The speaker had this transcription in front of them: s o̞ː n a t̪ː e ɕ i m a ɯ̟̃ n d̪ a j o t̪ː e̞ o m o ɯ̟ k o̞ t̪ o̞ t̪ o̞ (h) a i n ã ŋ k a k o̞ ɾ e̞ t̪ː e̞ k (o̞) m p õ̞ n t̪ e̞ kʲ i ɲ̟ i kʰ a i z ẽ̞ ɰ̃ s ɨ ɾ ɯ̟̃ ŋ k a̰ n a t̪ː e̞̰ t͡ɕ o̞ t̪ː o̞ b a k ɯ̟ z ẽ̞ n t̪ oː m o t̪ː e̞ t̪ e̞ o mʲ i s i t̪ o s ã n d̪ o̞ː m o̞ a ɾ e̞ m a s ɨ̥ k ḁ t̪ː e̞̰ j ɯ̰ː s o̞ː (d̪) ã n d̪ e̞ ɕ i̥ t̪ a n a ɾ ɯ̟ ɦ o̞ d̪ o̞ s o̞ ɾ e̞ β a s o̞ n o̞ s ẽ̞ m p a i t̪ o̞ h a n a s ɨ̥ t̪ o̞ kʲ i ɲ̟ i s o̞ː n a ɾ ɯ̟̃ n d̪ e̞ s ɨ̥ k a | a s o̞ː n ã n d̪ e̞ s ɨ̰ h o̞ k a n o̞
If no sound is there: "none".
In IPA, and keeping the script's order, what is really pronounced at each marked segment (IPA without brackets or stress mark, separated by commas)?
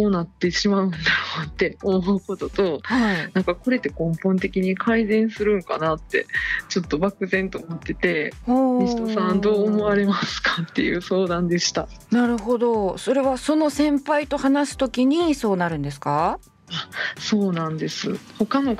h, õ̞, d̪